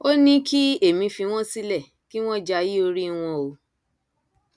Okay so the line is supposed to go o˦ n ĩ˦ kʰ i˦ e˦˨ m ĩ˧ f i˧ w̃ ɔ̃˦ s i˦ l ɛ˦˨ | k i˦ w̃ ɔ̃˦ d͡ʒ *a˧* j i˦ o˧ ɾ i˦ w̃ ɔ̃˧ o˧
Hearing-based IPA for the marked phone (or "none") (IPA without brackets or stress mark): a˧